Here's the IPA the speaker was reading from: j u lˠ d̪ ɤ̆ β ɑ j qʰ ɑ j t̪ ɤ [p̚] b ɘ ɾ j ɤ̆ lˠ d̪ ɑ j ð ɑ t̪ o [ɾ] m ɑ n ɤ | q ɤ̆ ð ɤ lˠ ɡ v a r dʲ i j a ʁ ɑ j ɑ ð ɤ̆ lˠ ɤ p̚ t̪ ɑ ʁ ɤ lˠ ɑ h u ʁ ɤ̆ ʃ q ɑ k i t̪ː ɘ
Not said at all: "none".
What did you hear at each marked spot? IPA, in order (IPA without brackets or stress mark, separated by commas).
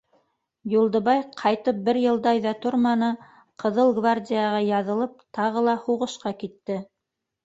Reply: p̚, ɾ